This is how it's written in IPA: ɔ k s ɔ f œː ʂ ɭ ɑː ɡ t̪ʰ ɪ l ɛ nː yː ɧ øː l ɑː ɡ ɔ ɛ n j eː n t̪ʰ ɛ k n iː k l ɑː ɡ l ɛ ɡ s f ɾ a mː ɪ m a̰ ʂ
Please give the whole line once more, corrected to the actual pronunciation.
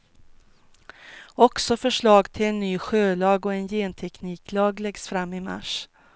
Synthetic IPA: ɔ k s ɔ f œ ʂ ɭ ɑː ɡ t̪ʰ ɪ l ɛ nː yː ɧ øː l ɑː ɡ ɔ ɛ n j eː n t̪ʰ ɛ k n iː k l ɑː ɡ l ɛ ɡ s f ɾ a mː ɪ m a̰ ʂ